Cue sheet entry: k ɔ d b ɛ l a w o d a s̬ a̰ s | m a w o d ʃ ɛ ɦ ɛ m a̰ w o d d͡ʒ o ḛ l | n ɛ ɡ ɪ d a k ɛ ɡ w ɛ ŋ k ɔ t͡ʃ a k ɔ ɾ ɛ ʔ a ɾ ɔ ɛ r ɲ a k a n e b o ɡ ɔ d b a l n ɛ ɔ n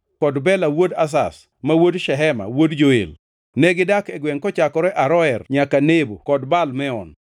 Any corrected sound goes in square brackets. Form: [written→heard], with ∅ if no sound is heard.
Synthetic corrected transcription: k ɔ d b ɛ l a w o d a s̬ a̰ s | m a w o d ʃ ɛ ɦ ɛ m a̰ w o d d͡ʒ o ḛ l | n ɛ ɡ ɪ d a k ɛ ɡ w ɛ ŋ k ɔ t͡ʃ a k ɔ ɾ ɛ ʔ a ɾ ɔ ɛ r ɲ a k a n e b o [ɡ→k] ɔ d b a l [n→m] ɛ ɔ n